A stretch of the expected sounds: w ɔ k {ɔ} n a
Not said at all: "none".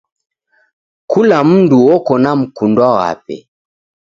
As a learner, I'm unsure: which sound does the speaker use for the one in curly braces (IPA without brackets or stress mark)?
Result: ɔ